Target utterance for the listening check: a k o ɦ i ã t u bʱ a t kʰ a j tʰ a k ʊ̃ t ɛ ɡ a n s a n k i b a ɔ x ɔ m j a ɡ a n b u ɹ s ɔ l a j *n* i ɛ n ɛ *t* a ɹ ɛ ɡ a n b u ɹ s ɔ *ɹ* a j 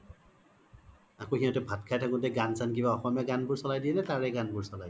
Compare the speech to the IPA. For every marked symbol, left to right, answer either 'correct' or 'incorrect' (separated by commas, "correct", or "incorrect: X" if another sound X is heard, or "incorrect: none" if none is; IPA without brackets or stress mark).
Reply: incorrect: d, correct, incorrect: l